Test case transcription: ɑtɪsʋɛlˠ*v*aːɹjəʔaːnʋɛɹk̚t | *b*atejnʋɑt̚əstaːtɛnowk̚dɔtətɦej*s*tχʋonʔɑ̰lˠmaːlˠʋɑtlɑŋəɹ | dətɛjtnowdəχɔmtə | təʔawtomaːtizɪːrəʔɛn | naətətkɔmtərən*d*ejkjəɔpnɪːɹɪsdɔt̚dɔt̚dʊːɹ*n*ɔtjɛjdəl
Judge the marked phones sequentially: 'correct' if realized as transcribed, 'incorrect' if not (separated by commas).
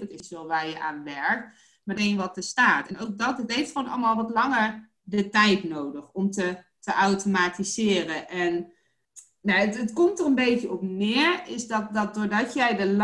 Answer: incorrect, incorrect, incorrect, incorrect, incorrect